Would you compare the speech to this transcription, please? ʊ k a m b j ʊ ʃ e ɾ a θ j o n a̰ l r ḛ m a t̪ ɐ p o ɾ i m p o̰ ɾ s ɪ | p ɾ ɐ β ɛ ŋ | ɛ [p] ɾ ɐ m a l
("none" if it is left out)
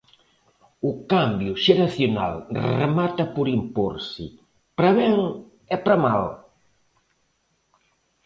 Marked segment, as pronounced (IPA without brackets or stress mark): p